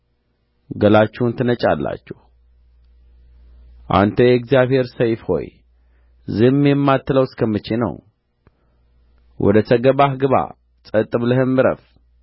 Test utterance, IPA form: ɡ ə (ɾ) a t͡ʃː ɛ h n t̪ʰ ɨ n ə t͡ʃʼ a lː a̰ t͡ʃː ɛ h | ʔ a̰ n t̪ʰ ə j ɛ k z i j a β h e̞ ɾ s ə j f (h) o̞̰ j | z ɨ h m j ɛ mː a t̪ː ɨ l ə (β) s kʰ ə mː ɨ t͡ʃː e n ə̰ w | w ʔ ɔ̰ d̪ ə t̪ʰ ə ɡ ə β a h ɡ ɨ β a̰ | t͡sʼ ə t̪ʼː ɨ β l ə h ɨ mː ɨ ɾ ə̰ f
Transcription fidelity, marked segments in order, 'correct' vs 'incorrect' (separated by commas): incorrect, correct, incorrect